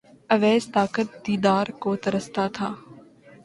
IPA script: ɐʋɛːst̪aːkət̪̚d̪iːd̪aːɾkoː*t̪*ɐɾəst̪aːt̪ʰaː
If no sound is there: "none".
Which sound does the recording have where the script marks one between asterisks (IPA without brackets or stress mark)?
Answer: t̪